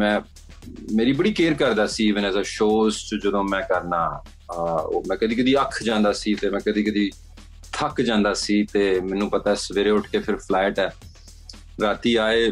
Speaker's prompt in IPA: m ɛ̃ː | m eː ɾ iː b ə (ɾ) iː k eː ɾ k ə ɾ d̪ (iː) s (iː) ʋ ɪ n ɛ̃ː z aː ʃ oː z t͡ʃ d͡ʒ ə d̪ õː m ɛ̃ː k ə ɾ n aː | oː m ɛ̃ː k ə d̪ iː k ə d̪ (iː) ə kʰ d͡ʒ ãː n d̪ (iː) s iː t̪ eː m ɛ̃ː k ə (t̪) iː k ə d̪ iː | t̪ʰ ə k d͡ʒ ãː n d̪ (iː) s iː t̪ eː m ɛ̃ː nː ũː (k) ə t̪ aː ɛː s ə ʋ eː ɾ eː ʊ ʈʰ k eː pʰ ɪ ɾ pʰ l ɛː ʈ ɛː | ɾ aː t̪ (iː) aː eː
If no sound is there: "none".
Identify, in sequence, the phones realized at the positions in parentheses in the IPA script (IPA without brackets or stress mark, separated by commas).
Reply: ɽ, aː, iː, iː, aː, d̪, aː, p, iː